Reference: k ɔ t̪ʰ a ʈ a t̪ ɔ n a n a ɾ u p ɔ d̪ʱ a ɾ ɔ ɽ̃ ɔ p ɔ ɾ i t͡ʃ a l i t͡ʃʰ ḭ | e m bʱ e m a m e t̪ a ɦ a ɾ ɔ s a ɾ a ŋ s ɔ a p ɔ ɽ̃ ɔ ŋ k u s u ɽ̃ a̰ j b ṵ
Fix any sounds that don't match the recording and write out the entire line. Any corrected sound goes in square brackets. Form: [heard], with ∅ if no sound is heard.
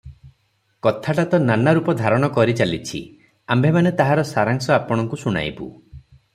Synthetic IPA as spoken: k ɔ t̪ʰ a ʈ a t̪ ɔ n a n a ɾ u p ɔ d̪ʱ a ɾ ɔ ɽ̃ ɔ [k] ɔ ɾ i t͡ʃ a l i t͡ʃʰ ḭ | [a] m bʱ e m a [n] e t̪ a ɦ a ɾ ɔ s a ɾ a ŋ s ɔ a p ɔ ɽ̃ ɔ ŋ k u s u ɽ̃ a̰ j b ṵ